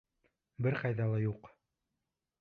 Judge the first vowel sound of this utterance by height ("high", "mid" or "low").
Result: mid